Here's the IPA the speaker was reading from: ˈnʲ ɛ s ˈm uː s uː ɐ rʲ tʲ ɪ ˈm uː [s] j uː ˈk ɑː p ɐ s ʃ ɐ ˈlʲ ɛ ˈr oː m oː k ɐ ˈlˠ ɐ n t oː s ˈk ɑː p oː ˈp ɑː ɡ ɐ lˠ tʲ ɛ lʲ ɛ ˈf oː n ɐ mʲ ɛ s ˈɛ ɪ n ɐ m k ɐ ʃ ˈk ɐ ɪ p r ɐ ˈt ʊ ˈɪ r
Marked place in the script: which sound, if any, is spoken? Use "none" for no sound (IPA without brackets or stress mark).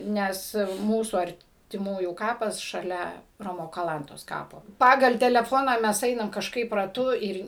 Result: none